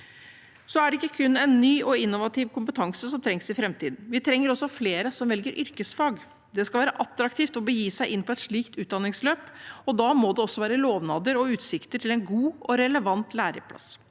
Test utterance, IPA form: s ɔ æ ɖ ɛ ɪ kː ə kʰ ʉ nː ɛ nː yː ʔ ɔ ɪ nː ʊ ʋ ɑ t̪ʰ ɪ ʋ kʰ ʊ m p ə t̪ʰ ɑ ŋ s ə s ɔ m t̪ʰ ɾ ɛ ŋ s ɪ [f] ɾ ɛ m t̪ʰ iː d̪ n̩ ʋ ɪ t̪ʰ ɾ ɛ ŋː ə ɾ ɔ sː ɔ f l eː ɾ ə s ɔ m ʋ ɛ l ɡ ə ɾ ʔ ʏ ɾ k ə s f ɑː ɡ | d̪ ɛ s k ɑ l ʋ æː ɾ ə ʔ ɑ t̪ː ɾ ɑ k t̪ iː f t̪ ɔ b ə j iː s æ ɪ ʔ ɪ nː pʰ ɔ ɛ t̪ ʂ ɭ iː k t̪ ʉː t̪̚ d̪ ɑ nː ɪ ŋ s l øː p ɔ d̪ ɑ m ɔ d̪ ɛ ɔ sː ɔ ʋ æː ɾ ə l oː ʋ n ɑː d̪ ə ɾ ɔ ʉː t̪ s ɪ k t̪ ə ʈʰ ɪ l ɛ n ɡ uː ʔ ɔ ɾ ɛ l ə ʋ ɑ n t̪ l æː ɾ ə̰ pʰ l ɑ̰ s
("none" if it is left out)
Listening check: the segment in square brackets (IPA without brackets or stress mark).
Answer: f